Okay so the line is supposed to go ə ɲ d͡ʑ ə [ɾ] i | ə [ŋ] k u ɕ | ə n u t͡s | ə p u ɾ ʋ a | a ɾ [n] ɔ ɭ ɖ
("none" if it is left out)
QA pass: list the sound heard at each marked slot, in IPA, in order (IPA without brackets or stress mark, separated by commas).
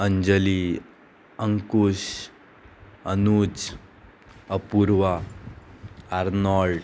l, ŋ, n